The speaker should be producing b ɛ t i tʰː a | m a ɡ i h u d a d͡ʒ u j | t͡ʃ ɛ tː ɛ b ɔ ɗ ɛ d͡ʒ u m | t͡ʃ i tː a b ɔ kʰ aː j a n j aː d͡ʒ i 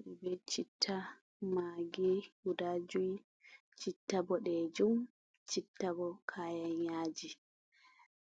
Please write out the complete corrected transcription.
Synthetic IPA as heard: b ɛ t͡ʃ i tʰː a | m a ɡ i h u d a d͡ʒ u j | t͡ʃ i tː a b ɔ ɗ ɛ d͡ʒ u m | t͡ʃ i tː a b ɔ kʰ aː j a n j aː d͡ʒ i